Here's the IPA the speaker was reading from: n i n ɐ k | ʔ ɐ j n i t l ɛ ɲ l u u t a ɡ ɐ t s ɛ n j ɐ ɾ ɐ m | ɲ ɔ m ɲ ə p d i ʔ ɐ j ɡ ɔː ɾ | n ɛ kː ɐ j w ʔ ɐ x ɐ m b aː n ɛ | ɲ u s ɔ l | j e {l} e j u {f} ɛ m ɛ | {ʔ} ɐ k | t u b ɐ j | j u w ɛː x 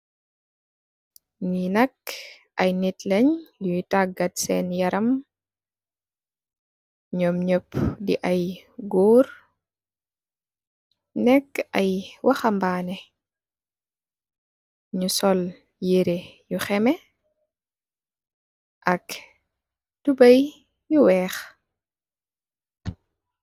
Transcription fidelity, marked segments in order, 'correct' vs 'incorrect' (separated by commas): incorrect, incorrect, correct